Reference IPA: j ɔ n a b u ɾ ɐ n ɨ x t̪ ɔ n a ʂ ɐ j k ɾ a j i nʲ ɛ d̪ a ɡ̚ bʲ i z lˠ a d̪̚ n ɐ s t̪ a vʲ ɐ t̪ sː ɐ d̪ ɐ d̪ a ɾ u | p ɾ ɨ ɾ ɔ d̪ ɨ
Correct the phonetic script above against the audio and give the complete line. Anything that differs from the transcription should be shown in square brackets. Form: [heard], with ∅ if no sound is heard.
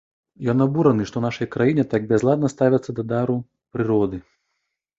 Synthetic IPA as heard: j ɔ n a b u ɾ ɐ n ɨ [ʂ] t̪ ɔ n a ʂ ɐ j k ɾ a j i nʲ ɛ [t̪] a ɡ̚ bʲ [ɛ] z lˠ a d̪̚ n ɐ s t̪ a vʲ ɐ t̪ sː ɐ d̪ ɐ d̪ a ɾ u | p ɾ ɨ ɾ ɔ d̪ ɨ